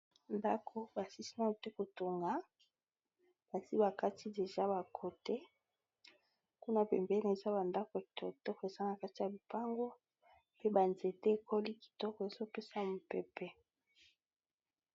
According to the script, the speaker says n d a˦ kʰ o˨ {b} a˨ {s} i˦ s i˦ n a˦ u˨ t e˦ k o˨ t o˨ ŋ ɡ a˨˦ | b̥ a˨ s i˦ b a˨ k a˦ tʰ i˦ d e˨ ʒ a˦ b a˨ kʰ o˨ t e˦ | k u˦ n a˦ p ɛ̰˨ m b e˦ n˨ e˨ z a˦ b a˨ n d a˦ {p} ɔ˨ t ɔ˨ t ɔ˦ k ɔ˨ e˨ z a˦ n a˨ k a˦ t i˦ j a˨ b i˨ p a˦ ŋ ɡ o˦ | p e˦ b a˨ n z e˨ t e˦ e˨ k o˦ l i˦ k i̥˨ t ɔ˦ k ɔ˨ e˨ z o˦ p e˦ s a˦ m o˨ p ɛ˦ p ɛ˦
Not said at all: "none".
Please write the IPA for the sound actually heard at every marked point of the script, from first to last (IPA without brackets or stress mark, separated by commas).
b, s, k